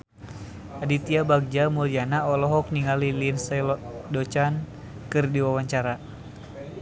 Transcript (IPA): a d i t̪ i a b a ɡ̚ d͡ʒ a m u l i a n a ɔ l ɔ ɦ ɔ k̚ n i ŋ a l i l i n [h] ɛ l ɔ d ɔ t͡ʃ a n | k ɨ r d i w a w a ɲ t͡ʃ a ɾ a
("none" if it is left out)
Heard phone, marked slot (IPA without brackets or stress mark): s